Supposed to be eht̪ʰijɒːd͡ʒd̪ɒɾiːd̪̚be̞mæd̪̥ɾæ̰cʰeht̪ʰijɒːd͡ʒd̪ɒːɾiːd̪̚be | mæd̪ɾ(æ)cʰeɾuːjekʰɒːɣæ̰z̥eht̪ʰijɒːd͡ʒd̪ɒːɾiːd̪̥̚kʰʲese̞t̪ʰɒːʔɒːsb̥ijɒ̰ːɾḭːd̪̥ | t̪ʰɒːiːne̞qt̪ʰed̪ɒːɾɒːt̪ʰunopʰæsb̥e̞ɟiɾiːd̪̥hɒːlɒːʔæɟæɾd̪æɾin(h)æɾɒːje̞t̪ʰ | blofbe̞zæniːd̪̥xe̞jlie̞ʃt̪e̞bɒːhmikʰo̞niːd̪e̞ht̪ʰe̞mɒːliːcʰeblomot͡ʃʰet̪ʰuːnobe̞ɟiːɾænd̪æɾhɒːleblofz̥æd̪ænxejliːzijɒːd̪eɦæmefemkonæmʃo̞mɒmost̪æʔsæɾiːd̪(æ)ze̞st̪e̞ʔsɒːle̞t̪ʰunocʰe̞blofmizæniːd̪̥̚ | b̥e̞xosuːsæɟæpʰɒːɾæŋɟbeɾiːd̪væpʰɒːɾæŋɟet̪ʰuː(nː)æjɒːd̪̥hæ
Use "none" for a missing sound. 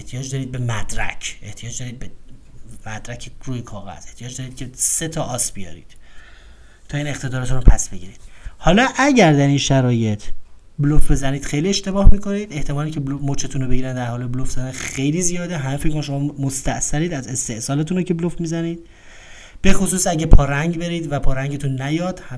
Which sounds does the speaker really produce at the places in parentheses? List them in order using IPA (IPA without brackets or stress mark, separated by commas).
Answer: æ, ʃ, æ, nː